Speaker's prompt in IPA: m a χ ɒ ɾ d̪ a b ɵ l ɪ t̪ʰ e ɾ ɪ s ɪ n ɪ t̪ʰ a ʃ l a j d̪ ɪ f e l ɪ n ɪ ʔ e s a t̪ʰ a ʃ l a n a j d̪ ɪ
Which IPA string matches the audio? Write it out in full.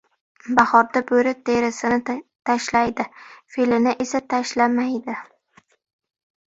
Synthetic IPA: b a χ ɒ ɾ d̪ a b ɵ ɾ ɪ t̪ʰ e ɾ ɪ s ɪ n ɪ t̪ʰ a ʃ l a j d̪ ɪ f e l ɪ n ɪ ʔ e s a t̪ʰ a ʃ l a m a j d̪ ɪ